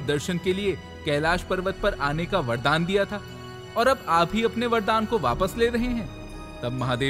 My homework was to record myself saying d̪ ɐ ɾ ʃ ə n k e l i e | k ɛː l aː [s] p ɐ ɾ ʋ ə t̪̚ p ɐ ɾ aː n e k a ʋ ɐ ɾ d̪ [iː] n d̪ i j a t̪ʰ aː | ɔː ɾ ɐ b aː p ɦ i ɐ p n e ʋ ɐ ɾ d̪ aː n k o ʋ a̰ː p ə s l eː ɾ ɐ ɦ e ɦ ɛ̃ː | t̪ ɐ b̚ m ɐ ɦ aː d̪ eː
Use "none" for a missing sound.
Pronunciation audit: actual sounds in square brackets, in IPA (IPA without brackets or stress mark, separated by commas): ʃ, aː